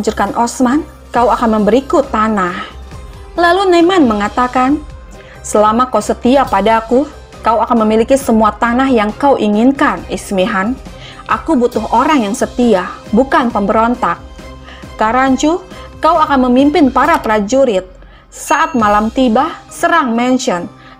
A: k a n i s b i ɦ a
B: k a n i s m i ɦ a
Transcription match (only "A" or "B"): B